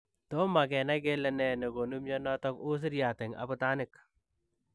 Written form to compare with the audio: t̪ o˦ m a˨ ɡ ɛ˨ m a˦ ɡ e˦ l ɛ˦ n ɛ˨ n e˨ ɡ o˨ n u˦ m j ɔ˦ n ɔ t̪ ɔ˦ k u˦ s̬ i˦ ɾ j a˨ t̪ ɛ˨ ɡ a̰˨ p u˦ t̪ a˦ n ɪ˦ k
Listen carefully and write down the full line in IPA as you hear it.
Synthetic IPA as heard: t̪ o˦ m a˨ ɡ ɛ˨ n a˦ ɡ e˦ l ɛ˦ n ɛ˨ n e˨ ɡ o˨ n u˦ m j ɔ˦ n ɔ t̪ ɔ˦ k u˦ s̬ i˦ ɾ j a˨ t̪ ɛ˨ ŋ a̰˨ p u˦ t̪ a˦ n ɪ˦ k

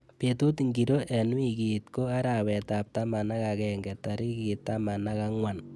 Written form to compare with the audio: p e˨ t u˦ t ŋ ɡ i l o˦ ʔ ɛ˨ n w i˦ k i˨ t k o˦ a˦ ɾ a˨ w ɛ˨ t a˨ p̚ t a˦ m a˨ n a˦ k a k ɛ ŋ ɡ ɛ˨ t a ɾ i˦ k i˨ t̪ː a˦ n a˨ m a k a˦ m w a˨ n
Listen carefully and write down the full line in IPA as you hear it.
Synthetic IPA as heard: p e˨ t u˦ t ŋ ɡ i ɾ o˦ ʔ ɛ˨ n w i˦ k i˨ t k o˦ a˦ ɾ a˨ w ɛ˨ t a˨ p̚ t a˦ m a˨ n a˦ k a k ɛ ŋ ɡ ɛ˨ t a ɾ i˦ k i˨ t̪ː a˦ m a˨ n a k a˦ ŋ w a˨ n

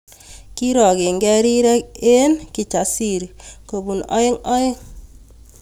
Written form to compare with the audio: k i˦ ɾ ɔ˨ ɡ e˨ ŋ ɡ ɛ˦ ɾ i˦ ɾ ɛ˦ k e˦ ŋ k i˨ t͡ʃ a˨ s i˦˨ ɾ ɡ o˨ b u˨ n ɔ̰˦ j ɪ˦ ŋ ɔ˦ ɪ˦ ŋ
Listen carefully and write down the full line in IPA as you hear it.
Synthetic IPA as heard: k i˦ ɾ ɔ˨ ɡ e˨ ŋ ɡ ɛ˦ ɾ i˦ ɾ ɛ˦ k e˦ n k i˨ t͡ʃ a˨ s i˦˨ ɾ k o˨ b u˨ n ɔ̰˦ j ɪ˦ ŋ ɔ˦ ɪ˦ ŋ

